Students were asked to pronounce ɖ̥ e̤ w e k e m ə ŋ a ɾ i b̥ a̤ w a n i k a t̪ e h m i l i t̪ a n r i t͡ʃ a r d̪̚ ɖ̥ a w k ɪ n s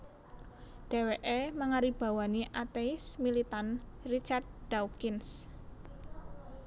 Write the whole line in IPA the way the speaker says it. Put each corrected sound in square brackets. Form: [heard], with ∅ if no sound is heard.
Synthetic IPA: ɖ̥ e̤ w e [ʔ] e m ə ŋ a ɾ i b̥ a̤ w a n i [ʔ] a t̪ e [s] m i l i t̪ a n r i t͡ʃ a r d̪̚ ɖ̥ a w k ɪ n s